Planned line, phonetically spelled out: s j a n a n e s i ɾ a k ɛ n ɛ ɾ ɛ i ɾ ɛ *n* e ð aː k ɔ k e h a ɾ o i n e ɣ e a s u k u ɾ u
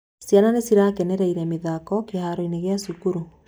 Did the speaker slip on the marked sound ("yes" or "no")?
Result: yes